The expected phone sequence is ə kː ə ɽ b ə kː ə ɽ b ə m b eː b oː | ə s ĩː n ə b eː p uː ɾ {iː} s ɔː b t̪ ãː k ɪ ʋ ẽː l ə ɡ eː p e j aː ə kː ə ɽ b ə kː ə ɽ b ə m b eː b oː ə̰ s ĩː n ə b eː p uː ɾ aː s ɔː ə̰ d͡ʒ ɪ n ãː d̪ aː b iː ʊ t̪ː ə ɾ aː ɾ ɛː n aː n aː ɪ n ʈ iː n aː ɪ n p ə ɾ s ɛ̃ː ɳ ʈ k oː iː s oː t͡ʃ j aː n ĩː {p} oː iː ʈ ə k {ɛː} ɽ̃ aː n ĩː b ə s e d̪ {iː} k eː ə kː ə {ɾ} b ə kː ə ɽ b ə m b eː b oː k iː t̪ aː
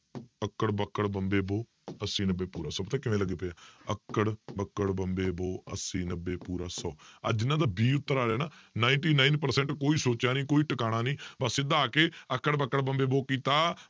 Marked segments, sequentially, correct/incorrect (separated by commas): incorrect, incorrect, incorrect, incorrect, incorrect